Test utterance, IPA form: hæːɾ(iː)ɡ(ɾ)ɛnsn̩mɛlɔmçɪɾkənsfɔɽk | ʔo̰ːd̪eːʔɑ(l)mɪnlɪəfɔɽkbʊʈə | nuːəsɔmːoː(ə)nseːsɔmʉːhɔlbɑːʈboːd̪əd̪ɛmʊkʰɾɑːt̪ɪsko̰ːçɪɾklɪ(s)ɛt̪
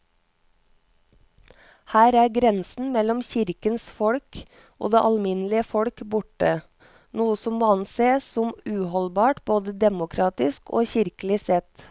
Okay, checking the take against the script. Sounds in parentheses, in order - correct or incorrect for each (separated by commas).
incorrect, correct, correct, incorrect, correct